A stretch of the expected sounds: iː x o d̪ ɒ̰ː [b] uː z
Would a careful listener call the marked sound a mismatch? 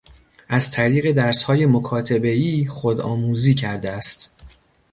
yes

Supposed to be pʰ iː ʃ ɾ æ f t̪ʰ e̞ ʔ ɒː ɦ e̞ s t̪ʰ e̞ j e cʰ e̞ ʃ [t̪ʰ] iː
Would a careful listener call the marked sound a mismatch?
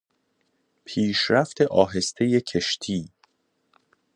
no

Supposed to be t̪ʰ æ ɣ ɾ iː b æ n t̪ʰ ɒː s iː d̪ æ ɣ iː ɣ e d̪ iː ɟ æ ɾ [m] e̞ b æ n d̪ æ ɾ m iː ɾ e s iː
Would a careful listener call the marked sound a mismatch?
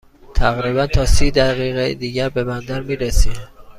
yes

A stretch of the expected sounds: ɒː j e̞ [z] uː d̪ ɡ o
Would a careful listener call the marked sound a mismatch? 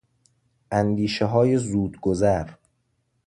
no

